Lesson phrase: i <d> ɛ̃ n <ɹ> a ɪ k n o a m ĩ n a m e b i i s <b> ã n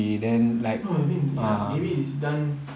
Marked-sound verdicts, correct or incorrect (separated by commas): correct, incorrect, incorrect